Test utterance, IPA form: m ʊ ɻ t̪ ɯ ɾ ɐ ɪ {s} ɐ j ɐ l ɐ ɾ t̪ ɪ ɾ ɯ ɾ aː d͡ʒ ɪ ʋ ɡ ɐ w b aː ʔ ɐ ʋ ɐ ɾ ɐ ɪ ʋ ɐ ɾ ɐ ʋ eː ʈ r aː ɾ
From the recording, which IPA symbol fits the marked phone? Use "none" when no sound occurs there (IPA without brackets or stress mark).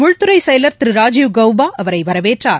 s